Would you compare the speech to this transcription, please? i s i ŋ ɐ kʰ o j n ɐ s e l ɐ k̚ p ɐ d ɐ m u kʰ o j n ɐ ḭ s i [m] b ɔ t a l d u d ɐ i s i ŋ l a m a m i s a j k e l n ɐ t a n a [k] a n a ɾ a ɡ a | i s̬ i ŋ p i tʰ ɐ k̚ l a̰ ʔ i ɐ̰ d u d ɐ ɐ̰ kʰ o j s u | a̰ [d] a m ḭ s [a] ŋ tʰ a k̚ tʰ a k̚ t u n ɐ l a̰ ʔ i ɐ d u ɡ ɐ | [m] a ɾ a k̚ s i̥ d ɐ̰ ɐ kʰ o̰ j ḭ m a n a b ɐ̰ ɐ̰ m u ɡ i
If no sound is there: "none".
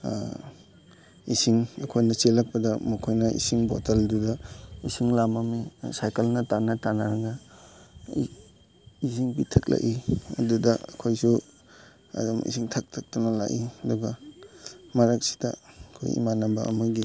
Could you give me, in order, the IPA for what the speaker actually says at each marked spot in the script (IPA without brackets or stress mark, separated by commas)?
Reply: ŋ, t, d, i, m